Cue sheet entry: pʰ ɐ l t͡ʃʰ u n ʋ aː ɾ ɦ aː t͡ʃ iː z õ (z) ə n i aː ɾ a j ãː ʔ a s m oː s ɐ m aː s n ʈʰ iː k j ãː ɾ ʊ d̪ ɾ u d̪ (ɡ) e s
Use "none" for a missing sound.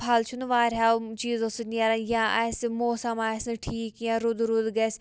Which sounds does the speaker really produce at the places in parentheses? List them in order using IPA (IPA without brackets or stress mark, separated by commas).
s, ɡ